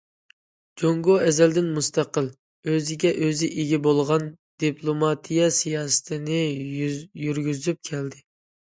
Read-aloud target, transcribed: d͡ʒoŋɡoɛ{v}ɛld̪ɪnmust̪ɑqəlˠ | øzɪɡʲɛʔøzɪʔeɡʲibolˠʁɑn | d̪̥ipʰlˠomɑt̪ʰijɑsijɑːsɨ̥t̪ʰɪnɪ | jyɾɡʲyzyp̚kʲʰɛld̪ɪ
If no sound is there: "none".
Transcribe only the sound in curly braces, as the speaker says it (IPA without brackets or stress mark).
z